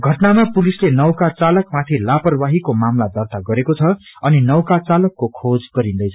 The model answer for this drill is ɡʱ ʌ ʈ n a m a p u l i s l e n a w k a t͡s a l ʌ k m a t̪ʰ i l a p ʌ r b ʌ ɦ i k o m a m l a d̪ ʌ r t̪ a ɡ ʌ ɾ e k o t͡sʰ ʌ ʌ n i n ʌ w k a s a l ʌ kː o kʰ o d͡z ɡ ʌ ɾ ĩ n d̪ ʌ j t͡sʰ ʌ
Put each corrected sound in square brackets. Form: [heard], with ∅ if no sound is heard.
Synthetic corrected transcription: ɡʱ ʌ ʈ n a m a p u l i s l e n [ʌ] w k a t͡s a l ʌ k m a t̪ʰ i l a p ʌ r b [a] ɦ i k o m a m l a d̪ ʌ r t̪ a ɡ ʌ ɾ e k o t͡sʰ ʌ ʌ n i n ʌ w k a [t͡s] a l ʌ kː o kʰ o d͡z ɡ ʌ ɾ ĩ n d̪ ʌ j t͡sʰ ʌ